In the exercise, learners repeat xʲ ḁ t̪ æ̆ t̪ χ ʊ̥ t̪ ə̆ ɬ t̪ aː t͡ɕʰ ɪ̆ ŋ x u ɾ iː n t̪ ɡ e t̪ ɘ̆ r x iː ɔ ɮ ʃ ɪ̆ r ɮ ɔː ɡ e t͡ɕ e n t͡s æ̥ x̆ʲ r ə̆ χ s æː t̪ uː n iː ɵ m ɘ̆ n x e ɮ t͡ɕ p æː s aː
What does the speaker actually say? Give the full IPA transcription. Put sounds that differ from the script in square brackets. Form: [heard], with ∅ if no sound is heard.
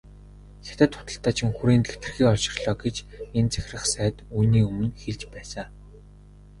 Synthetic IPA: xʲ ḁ t̪ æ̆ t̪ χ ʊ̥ t̪ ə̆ ɬ t̪ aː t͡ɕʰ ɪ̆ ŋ x u ɾ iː n t̪ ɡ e t̪ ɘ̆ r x iː ɔ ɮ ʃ ɪ̆ r ɮ ɔː ɡ e t͡ɕ e n t͡s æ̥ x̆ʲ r ə̆ χ s æː t̪ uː n iː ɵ m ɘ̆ n x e ɮ t͡ɕ p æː s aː